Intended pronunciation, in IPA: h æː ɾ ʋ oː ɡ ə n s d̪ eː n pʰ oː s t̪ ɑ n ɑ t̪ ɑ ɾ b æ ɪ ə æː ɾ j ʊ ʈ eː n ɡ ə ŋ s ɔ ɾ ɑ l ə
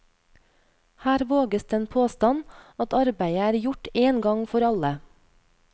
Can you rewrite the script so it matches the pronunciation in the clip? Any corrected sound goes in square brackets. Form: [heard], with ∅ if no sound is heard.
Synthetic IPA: h æː ɾ ʋ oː ɡ ə [∅] s d̪ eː n pʰ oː s t̪ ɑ n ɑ t̪ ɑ ɾ b æ ɪ ə æː ɾ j ʊ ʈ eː n ɡ [ɑ] ŋ [f] ɔ ɾ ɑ l ə